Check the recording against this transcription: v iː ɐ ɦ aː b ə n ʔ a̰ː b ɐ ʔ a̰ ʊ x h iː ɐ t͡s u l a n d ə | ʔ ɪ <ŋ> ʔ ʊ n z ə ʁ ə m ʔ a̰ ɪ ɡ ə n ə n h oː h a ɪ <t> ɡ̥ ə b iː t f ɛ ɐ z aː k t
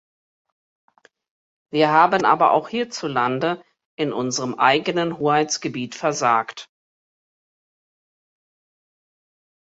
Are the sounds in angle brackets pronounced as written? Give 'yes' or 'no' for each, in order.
no, no

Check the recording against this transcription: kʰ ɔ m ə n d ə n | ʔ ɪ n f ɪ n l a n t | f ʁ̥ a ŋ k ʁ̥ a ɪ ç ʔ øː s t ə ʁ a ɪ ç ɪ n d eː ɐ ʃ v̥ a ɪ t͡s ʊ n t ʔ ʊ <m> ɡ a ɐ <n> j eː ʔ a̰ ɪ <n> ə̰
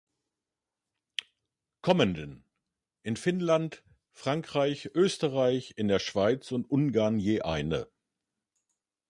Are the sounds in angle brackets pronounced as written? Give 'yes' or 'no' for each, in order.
no, yes, yes

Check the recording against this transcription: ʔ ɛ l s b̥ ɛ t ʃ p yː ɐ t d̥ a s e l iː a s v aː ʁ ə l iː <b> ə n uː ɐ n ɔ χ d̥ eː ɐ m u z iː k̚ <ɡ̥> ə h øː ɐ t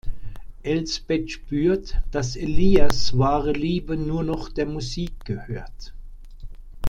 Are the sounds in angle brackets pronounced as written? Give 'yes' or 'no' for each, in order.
yes, yes

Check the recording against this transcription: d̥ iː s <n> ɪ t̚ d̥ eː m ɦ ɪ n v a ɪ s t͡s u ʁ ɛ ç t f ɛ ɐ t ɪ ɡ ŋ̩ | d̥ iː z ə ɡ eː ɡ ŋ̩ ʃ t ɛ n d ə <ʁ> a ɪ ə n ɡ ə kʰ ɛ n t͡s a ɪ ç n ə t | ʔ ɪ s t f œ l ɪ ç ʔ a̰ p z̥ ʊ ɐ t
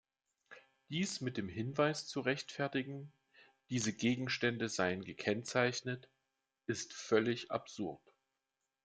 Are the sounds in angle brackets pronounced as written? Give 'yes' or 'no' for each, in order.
no, no

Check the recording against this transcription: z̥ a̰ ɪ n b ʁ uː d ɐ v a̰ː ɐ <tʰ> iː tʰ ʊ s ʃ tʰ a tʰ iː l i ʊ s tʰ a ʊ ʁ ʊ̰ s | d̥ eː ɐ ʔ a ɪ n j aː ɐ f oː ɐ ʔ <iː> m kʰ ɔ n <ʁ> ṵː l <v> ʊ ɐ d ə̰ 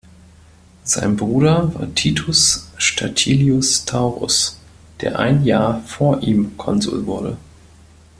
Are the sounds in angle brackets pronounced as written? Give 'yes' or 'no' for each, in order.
yes, yes, no, yes

